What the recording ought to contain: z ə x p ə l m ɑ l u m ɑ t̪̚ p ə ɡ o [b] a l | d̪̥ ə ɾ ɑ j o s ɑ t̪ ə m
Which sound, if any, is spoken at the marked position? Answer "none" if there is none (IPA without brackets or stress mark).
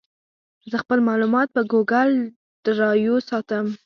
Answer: ɡ